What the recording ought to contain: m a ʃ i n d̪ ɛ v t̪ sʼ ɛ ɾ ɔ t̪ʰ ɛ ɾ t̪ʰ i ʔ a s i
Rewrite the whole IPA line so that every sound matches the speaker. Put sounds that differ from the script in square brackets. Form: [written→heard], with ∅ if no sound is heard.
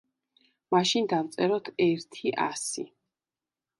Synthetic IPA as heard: m a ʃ i n d̪ [ɛ→a] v t̪ sʼ ɛ ɾ ɔ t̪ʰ ɛ ɾ t̪ʰ i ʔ a s i